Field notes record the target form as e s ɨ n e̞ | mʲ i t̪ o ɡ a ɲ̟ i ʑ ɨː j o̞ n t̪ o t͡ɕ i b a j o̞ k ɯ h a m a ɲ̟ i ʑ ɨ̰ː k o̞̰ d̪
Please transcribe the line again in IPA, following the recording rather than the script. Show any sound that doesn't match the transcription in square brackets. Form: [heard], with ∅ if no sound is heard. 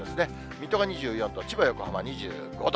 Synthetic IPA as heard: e s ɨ n e̞ | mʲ i t̪ o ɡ a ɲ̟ i ʑ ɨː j [õ̞] n t̪ o t͡ɕ i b a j o̞ k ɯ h a m a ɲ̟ i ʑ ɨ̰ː [ɡ] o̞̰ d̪